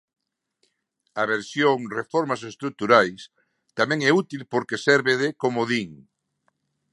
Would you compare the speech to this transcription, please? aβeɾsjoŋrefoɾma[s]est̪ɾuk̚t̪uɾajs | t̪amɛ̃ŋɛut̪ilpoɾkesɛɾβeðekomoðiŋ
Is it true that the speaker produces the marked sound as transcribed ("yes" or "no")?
yes